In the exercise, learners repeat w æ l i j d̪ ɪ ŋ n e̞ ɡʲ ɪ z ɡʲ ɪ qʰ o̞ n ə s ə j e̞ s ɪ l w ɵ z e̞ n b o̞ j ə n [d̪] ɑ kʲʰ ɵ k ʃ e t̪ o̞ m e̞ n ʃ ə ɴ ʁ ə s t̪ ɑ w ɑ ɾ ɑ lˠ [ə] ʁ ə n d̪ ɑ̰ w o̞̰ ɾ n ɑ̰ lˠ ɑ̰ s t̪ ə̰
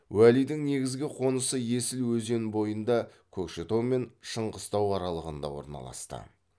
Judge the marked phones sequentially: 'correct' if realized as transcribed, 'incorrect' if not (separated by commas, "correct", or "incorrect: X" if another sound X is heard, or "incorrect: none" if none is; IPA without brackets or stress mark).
correct, correct